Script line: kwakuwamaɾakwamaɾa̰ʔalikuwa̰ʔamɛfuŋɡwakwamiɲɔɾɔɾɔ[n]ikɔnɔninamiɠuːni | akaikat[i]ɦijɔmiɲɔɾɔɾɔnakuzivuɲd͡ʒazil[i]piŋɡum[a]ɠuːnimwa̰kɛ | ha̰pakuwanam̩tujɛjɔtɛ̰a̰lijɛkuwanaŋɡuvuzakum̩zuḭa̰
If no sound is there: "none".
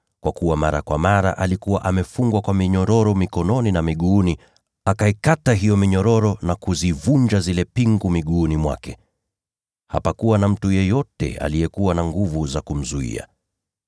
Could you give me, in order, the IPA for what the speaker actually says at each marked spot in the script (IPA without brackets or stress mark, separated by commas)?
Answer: m, a, ɛ, i